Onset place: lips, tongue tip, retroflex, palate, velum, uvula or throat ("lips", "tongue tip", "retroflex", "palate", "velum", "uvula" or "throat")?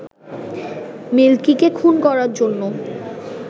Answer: lips